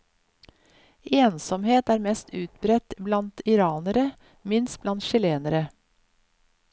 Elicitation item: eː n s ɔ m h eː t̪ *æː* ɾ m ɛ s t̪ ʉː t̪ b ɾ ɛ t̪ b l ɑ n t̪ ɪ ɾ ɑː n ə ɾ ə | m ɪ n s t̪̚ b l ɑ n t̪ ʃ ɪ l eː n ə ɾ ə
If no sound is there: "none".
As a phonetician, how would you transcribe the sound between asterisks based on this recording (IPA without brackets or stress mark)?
æː